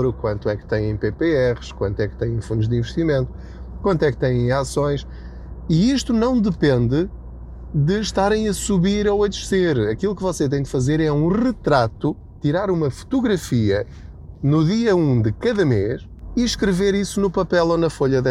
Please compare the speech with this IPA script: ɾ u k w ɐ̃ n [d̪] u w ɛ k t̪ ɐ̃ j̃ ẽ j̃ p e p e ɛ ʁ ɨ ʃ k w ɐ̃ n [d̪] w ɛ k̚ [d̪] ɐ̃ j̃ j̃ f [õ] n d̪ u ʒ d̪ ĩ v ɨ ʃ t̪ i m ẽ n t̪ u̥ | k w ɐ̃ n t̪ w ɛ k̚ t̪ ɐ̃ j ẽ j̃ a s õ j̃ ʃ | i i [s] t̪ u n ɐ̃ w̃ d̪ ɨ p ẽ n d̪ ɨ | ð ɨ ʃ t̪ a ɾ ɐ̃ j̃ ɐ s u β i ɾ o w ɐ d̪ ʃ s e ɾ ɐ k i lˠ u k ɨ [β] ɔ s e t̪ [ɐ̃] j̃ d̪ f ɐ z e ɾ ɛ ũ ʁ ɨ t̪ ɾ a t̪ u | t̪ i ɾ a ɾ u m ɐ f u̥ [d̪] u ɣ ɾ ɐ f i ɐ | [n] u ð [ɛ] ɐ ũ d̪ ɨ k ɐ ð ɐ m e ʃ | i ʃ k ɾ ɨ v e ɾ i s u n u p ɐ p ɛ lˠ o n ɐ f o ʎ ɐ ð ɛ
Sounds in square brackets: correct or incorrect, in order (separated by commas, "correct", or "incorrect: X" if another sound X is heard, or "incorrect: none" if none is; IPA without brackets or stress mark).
incorrect: t̪, incorrect: t̪, incorrect: t̪, incorrect: ũ, incorrect: ʃ, incorrect: v, correct, incorrect: t̪, correct, incorrect: i